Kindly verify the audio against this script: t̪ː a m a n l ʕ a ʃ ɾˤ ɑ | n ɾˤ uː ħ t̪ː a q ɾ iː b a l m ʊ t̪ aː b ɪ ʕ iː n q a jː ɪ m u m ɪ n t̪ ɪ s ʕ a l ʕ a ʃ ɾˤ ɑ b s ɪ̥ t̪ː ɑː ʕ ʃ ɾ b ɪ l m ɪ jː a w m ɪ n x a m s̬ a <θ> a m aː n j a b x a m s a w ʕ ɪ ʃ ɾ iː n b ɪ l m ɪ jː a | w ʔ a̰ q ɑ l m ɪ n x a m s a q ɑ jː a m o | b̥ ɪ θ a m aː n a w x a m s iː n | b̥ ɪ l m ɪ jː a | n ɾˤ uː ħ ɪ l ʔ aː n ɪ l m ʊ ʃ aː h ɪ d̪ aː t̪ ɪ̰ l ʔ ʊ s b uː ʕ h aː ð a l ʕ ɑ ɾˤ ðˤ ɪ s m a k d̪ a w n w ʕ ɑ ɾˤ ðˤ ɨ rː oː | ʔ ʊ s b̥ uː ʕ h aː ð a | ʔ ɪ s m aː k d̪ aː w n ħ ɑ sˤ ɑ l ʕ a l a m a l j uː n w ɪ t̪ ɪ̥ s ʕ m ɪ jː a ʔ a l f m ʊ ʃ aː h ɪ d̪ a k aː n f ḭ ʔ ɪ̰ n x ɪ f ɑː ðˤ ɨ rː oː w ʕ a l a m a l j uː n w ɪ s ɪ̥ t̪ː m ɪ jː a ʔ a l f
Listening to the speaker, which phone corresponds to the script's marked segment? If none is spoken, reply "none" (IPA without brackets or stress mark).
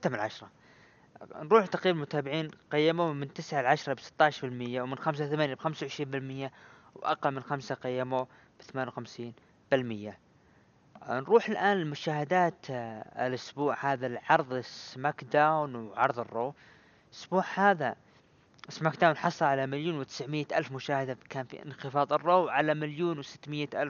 θ